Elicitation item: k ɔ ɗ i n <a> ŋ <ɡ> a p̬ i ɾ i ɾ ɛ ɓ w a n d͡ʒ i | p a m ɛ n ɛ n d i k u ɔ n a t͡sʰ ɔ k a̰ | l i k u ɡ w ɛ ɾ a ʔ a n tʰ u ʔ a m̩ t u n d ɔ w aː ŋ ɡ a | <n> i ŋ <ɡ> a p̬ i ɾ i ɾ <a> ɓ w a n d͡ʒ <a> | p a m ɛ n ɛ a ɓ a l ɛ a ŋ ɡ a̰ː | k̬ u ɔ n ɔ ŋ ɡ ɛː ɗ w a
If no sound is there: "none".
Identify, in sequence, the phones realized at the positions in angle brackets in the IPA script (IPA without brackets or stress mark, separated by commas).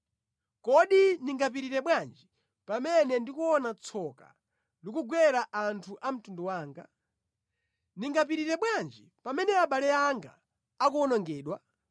i, ɡ, n, ɡ, ɛ, i